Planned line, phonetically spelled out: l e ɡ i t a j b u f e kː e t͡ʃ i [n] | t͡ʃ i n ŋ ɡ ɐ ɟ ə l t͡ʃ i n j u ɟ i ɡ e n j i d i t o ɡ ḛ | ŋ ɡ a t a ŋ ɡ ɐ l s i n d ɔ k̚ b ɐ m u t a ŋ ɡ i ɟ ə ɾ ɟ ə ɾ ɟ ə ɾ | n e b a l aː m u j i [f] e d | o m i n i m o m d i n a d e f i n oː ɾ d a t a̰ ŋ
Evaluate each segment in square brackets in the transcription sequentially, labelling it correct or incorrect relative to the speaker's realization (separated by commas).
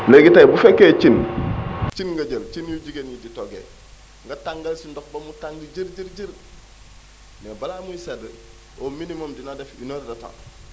correct, incorrect